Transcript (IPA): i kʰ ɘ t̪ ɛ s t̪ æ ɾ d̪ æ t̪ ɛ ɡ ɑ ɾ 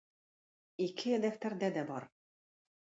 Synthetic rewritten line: i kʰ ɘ d̪ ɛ f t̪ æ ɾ d̪ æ d̪ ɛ b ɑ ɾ